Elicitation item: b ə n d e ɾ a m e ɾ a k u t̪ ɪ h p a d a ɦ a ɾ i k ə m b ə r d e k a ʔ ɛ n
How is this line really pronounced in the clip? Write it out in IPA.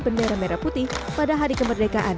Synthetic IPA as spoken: b ə n d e ɾ a m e ɾ a p u t̪ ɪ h p a d a ɦ a ɾ i k ə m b ə r d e k a ʔ a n